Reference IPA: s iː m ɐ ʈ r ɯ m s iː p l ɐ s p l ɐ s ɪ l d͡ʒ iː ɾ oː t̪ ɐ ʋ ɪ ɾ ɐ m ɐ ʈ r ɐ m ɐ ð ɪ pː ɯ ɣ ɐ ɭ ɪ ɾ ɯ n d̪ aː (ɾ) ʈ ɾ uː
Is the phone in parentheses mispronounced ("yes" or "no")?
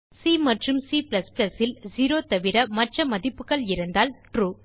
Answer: yes